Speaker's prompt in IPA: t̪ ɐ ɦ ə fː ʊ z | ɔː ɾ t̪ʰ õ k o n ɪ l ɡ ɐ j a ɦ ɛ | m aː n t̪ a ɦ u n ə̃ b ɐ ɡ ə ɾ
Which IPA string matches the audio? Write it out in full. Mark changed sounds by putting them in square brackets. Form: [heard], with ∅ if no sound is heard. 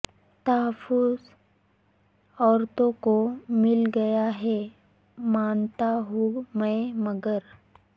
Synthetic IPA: t̪ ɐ ɦ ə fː ʊ z | ɔː ɾ [t̪] õ k o [m] ɪ l ɡ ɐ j a ɦ ɛ | m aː n t̪ a ɦ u [m] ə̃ [m] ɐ ɡ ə ɾ